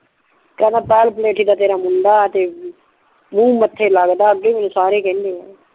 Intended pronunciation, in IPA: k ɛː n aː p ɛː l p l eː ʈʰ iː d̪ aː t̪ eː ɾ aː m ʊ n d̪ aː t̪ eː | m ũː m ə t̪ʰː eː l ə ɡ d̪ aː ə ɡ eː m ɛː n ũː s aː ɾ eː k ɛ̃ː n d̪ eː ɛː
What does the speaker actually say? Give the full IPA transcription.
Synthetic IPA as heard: k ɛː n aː p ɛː l p l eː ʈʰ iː d̪ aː t̪ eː ɾ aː m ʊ n d̪ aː t̪ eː | m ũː m ə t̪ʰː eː l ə ɡ d̪ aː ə ɡ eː m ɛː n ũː s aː ɾ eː k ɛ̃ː n d̪ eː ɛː